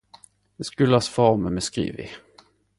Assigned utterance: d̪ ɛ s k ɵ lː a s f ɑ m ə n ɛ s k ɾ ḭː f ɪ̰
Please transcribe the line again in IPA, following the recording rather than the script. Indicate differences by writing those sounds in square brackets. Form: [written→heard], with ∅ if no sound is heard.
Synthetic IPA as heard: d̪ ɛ s k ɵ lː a s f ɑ m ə [n→m] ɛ s k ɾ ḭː [f→v] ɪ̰